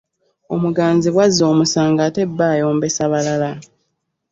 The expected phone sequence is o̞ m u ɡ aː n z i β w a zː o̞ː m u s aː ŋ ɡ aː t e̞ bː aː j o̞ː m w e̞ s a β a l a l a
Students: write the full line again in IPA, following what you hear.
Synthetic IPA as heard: o̞ m u ɡ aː n z i β w a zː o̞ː m u s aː ŋ ɡ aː t e̞ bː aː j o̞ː m b e̞ s a β a l a l a